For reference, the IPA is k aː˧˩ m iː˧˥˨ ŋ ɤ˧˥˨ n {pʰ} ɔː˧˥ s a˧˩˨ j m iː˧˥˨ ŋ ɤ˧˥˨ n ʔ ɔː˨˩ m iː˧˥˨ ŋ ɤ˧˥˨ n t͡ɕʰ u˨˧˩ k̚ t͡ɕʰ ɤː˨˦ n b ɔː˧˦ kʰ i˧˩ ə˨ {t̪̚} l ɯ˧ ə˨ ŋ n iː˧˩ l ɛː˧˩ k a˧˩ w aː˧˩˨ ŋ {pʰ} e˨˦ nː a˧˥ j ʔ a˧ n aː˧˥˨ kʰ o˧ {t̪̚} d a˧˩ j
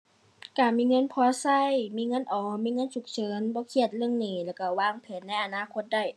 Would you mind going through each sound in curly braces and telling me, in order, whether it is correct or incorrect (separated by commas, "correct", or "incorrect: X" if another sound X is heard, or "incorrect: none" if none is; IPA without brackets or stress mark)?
correct, correct, correct, correct